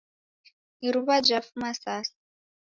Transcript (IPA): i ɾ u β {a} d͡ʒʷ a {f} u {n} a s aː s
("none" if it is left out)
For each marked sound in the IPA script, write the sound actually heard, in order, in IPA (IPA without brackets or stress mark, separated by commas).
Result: a, f, m